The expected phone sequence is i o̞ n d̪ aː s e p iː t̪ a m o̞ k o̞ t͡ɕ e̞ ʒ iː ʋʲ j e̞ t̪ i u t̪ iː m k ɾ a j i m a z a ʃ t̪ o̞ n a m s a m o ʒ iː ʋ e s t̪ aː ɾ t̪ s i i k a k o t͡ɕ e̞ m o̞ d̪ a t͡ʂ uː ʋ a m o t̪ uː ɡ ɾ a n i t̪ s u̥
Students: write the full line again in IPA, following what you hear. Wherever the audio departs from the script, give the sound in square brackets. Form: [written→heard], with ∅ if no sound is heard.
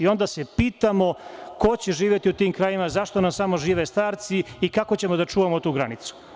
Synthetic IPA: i o̞ n d̪ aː s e p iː t̪ a m o̞ k o̞ t͡ɕ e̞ ʒ iː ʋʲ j e̞ t̪ i u t̪ iː m k ɾ a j i m a z a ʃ t̪ o̞ n a m s a m o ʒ iː ʋ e s t̪ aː ɾ t̪ s i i k a k o t͡ɕ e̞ m o̞ d̪ a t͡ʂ uː ʋ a m o t̪ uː ɡ ɾ a n i t̪ s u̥